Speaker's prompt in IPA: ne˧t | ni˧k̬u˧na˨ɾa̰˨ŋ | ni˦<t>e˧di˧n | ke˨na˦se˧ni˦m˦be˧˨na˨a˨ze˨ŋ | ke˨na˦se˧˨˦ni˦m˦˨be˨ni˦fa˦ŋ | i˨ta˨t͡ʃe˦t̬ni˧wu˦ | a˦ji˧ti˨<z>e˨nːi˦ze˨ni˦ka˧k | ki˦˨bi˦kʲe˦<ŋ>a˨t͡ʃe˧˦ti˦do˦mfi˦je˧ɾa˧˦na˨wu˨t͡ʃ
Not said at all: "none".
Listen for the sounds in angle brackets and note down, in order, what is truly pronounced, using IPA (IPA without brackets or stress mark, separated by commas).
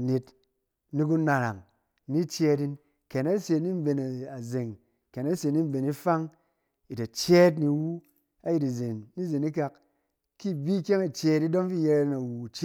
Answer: t͡ʃ, z, ŋ